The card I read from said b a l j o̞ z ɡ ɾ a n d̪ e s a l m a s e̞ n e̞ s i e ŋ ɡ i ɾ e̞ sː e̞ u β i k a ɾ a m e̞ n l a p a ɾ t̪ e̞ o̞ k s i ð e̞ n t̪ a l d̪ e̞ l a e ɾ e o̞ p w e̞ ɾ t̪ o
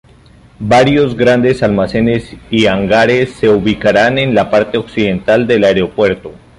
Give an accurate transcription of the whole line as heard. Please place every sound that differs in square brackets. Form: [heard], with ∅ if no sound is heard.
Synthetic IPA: b a [ɾ] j o̞ z ɡ ɾ a n d̪ e s a l m a s e̞ n e̞ s i [a] ŋ ɡ [a] ɾ e̞ sː e̞ u β i k a ɾ a [n] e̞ n l a p a ɾ t̪ e̞ o̞ k s i ð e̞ n t̪ a l d̪ e̞ l a e ɾ e o̞ p w e̞ ɾ t̪ o